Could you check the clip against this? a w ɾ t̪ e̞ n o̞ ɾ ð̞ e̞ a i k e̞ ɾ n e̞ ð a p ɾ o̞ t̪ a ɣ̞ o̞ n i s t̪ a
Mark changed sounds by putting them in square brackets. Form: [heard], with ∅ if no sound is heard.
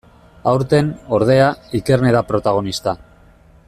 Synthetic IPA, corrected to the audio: a w ɾ t̪ e̞ n o̞ ɾ ð̞ e̞ a i k e̞ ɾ n e̞ ð a p ɾ o̞ t̪ a ɣ̞ o̞ n i s t̪ a